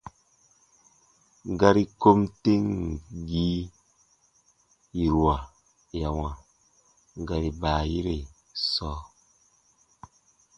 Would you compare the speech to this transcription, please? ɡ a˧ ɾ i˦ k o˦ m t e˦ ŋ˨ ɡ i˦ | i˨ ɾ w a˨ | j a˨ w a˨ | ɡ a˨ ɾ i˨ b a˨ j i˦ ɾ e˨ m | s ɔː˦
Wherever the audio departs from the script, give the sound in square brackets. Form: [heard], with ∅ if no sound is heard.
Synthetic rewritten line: ɡ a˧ ɾ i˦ k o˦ m t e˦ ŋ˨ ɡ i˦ | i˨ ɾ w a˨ | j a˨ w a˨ | ɡ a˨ ɾ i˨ b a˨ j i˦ ɾ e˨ [∅] | s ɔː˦

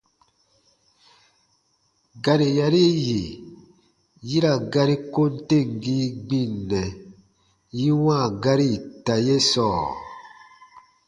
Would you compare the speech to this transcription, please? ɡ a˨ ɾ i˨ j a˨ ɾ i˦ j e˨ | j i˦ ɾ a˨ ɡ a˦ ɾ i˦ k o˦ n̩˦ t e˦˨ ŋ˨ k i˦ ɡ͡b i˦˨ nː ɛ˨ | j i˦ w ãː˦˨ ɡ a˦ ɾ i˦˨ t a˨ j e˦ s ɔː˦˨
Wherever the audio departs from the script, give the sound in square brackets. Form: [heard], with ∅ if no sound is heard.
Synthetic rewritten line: ɡ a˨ ɾ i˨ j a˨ ɾ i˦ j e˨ | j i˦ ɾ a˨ ɡ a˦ ɾ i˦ k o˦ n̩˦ t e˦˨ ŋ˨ [ɡ] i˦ ɡ͡b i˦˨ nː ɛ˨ | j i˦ w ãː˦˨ ɡ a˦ ɾ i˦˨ t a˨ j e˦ s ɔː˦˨

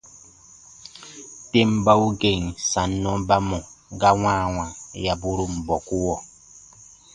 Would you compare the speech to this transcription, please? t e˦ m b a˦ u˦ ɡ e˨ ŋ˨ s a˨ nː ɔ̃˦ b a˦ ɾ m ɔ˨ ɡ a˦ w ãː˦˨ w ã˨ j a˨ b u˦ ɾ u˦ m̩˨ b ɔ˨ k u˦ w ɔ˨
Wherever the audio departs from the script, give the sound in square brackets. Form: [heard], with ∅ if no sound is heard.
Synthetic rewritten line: t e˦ m b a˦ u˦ ɡ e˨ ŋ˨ s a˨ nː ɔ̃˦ b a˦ [∅] m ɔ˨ ɡ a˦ w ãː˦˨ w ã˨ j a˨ b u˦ ɾ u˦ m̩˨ b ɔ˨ k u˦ w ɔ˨

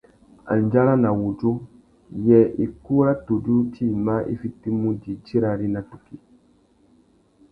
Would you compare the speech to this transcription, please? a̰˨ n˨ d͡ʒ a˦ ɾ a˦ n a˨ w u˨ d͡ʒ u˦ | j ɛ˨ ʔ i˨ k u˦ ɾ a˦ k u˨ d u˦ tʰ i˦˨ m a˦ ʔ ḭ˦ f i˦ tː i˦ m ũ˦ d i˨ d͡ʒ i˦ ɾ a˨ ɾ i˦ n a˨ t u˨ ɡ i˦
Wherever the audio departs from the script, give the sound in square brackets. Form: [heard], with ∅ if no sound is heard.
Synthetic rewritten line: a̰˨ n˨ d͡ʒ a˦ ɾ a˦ n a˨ w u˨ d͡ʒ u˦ | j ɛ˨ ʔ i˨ k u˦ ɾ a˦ [t] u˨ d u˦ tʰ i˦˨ m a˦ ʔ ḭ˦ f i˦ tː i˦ m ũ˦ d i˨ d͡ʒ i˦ ɾ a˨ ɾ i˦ n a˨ t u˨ [k] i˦

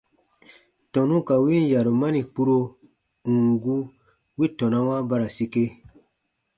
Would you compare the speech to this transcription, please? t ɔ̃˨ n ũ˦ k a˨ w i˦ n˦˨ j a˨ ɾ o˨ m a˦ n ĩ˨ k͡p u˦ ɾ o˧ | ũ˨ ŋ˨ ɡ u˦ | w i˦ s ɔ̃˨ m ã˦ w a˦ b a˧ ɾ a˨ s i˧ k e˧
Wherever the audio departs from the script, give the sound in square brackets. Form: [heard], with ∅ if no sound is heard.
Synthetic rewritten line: t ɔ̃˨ n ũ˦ k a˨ w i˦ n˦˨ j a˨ ɾ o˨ m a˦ n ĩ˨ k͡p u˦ ɾ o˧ | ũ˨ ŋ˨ ɡ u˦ | w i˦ [t] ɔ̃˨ [n] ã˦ w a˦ b a˧ ɾ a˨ s i˧ k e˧

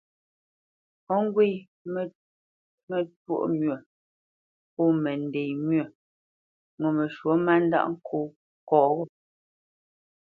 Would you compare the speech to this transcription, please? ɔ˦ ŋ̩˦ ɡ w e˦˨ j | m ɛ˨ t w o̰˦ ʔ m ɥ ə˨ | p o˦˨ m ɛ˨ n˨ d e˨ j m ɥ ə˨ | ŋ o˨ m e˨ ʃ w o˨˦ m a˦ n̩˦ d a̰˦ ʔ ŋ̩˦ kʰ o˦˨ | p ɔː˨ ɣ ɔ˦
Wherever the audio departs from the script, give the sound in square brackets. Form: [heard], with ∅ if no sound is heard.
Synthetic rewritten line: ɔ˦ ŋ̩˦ ɡ w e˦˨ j | m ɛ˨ t w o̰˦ ʔ m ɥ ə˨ | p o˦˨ m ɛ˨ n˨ d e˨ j m ɥ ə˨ | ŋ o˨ m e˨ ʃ w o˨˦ m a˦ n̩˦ d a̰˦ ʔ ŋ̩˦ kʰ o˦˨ | [k] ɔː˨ ɣ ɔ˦

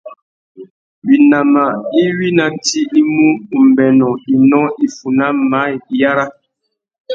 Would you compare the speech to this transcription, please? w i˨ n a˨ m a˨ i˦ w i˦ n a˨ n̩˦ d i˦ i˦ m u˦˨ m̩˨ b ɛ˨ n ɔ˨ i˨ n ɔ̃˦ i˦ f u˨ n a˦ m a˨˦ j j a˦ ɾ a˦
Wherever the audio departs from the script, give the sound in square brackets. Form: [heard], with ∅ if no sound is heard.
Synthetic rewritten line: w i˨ n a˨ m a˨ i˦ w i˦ n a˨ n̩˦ [t] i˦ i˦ m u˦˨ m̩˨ b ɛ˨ n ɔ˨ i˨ n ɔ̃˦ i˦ f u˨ n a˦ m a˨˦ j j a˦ ɾ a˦

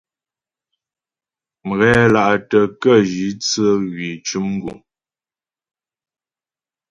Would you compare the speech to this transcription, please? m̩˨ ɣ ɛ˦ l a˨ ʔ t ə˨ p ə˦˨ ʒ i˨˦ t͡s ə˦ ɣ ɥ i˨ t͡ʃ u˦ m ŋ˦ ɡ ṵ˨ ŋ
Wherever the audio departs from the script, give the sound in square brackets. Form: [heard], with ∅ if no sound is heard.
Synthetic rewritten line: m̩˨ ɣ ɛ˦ l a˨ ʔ t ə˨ [k] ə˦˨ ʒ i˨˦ t͡s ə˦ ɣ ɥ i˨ t͡ʃ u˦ m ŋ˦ ɡ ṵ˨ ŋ

